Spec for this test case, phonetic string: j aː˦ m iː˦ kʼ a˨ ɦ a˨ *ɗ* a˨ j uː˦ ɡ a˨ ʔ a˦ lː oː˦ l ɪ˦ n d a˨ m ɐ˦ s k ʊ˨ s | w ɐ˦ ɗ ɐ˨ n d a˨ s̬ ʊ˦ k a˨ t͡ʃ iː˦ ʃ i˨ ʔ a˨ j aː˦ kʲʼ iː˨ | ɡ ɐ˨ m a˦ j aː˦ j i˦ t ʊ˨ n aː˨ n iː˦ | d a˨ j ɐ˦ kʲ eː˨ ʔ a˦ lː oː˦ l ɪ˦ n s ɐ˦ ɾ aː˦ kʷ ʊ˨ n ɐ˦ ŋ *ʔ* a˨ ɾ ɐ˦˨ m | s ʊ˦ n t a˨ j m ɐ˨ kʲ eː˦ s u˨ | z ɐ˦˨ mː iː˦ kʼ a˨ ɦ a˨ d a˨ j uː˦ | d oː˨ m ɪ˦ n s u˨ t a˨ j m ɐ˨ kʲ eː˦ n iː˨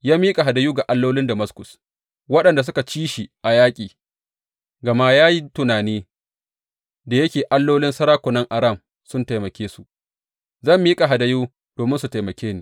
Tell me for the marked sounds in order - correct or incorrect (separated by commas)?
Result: incorrect, correct